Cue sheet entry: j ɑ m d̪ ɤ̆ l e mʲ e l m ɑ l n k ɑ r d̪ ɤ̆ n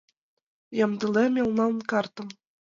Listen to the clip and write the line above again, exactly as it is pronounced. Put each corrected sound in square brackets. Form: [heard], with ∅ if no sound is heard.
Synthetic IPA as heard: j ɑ m d̪ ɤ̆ l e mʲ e l [n] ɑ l n k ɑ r [t̪] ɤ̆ [m]